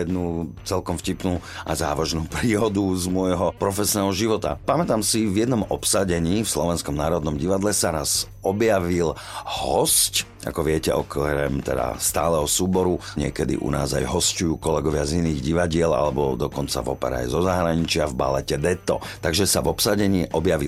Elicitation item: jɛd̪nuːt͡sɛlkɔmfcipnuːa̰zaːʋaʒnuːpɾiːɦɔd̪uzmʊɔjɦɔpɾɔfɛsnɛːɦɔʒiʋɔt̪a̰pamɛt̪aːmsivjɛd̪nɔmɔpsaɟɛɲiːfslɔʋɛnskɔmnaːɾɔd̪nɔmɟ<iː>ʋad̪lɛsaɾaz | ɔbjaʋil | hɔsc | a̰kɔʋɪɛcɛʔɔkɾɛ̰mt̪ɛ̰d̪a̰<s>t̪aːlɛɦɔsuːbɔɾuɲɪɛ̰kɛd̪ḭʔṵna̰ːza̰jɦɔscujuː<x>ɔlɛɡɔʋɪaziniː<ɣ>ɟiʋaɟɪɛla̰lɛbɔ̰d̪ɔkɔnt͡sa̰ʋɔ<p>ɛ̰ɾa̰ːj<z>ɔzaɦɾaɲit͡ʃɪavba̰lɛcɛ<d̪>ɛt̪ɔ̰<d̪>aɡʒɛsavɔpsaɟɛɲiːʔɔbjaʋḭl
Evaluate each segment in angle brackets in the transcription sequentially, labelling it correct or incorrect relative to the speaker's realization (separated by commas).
incorrect, correct, incorrect, correct, correct, correct, correct, incorrect